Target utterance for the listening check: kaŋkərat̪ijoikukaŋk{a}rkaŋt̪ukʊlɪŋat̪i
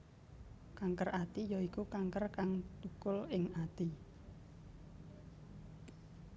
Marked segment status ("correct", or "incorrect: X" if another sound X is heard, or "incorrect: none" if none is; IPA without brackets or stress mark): incorrect: ə